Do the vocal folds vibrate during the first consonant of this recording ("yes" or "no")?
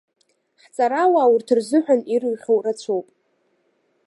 no